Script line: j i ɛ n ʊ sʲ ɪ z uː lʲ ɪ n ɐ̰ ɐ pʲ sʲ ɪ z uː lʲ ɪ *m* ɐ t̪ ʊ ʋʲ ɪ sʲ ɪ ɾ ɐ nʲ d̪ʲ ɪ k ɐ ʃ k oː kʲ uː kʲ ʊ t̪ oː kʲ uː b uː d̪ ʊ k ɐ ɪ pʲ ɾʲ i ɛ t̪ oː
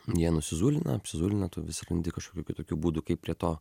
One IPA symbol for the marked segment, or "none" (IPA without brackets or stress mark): n